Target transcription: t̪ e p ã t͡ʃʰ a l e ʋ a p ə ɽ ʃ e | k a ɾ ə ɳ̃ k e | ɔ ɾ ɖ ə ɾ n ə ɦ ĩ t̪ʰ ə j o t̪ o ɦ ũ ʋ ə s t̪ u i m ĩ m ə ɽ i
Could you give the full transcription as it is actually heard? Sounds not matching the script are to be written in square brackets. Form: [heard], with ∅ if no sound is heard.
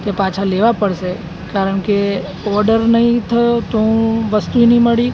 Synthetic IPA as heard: t̪ e p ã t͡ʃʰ a l e ʋ a p ə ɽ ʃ e | k a ɾ ə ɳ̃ k e | ɔ ɾ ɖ ə ɾ n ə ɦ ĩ t̪ʰ ə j o t̪ o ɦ ũ ʋ ə s t̪ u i [n] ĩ m ə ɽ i